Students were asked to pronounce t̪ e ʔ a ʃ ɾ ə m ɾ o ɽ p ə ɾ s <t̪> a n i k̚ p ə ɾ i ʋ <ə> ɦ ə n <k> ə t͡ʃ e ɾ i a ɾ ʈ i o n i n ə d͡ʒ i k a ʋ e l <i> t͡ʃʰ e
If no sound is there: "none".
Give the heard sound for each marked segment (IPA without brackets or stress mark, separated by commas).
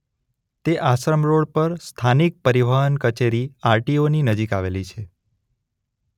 t̪ʰ, a, k, i